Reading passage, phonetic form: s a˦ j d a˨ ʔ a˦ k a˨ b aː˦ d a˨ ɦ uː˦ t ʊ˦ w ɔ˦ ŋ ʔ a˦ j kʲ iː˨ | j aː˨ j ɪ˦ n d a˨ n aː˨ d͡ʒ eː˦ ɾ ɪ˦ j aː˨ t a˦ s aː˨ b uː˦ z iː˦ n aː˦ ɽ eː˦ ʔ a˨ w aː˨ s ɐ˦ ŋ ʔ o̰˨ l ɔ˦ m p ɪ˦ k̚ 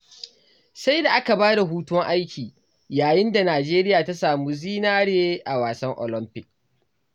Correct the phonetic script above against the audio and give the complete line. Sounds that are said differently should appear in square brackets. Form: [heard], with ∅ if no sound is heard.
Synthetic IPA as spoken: s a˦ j d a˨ ʔ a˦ k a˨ b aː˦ d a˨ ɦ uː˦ t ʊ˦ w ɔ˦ ŋ ʔ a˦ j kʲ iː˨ | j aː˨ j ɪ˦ n d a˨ n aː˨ d͡ʒ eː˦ ɾ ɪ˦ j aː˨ t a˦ s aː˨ [m] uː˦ z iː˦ n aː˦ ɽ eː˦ ʔ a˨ w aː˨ s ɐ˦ ŋ ʔ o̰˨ l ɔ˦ m p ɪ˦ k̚